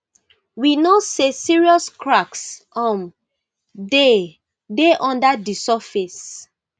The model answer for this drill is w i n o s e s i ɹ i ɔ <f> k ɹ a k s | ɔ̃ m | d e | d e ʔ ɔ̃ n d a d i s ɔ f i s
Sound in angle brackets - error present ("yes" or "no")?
yes